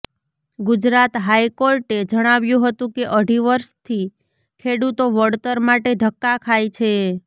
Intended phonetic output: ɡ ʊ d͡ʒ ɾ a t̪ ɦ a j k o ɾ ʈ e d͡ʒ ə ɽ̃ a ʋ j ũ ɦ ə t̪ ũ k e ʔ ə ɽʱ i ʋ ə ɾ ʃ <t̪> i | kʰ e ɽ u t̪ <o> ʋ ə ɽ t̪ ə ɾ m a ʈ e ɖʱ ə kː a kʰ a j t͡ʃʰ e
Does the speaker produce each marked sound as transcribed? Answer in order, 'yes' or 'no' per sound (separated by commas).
no, yes